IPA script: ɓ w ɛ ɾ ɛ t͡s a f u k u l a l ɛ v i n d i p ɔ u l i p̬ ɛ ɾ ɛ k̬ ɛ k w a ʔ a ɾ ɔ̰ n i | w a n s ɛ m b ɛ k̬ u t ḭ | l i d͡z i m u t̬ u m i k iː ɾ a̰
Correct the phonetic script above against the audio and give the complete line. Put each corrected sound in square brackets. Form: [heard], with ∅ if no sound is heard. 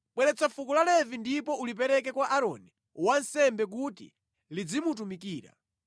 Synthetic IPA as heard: ɓ w ɛ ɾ ɛ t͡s a f u k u l a l ɛ v i n d i p ɔ u l i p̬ ɛ ɾ ɛ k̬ ɛ k w a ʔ a ɾ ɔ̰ n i | w a n s ɛ m b ɛ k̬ u t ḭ | l i d͡z i m u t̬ u m i k iː ɾ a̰